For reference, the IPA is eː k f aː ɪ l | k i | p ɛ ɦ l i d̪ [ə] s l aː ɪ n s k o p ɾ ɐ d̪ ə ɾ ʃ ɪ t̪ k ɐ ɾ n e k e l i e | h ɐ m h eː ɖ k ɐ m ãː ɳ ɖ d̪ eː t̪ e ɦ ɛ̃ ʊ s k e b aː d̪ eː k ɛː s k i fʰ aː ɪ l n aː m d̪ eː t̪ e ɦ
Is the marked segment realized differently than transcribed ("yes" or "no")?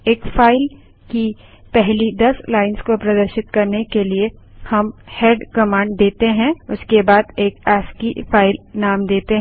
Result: yes